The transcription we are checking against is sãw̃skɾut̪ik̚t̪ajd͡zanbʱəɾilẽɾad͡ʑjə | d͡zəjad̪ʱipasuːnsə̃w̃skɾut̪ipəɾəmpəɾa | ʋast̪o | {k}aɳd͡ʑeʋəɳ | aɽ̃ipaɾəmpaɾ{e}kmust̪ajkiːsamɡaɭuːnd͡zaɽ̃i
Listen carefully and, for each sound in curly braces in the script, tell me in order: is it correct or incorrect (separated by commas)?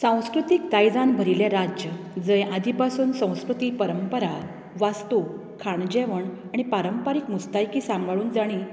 incorrect, incorrect